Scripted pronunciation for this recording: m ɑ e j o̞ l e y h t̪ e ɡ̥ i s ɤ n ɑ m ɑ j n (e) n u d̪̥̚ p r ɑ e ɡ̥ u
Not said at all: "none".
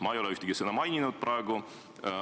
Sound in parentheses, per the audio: i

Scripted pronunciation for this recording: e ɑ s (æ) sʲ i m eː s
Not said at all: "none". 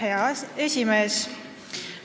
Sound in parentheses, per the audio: e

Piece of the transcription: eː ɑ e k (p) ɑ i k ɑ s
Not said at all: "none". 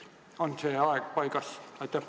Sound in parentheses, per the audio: p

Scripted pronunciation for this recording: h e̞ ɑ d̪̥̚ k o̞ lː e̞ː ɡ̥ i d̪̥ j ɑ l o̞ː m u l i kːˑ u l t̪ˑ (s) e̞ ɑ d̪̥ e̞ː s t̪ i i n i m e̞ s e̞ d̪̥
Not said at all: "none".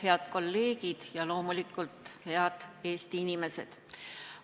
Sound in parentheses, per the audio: h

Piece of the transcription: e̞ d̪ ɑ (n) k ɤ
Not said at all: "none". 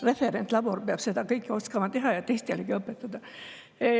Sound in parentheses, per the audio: none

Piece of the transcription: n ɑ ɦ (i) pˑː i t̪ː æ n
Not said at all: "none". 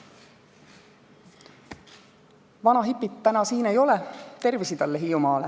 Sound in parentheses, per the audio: i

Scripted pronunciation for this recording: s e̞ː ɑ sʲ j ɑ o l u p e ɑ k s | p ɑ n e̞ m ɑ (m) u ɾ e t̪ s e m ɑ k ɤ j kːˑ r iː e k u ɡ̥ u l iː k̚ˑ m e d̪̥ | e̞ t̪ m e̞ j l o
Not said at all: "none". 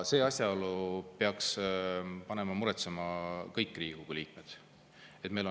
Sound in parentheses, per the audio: m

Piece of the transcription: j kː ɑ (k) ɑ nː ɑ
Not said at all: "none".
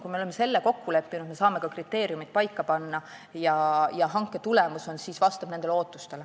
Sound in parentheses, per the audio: p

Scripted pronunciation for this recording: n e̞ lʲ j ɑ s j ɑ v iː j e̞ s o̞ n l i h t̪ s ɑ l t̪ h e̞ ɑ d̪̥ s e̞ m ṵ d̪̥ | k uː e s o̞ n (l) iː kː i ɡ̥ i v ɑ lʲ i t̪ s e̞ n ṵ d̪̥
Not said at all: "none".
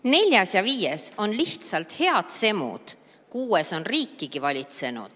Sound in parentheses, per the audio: r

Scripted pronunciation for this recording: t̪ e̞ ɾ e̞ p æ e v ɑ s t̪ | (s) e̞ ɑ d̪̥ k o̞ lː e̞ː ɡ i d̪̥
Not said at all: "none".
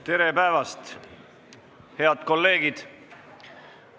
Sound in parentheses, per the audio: h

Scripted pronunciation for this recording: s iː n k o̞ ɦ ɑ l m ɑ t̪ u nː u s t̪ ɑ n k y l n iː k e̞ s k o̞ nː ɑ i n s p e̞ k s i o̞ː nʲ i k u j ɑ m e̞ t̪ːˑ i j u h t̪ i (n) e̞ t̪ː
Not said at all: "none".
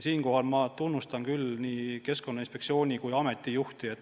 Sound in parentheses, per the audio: none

